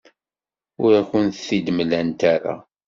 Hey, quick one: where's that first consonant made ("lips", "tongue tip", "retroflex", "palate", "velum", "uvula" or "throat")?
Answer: tongue tip